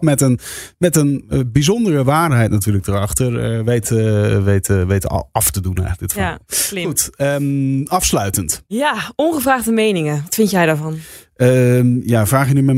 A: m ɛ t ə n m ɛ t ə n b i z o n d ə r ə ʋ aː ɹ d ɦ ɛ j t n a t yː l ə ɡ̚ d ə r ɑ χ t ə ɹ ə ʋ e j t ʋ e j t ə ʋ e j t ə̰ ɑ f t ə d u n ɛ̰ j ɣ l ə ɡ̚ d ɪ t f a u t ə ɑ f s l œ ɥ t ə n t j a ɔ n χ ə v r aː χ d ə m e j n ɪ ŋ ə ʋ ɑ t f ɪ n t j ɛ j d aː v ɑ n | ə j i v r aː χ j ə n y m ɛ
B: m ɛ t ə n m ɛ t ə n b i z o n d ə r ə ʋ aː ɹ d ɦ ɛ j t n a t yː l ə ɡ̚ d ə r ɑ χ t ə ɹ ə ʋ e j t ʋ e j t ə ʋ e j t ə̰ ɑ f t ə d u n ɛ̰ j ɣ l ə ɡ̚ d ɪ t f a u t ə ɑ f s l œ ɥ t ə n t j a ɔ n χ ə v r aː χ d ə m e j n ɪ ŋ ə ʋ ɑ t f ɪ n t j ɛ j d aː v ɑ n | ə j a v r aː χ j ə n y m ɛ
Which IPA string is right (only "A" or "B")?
B